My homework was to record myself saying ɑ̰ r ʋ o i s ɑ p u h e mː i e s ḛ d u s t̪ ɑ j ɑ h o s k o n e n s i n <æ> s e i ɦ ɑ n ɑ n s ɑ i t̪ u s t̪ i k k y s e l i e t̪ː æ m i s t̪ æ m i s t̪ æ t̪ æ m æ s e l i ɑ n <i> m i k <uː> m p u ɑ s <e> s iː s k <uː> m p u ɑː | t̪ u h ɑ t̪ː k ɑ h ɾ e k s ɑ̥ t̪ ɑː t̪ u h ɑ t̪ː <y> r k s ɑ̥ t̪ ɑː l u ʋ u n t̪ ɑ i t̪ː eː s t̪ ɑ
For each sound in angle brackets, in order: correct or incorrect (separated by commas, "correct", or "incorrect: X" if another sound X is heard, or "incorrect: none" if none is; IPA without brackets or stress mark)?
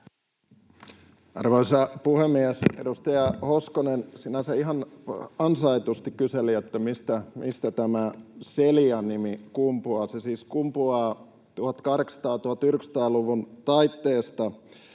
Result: correct, correct, incorrect: u, correct, incorrect: u, correct